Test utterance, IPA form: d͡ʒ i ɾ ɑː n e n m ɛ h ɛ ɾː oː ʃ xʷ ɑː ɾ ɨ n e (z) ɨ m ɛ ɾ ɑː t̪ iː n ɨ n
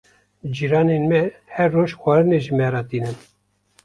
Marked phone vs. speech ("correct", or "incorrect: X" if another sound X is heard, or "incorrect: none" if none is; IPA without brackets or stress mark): incorrect: ʒ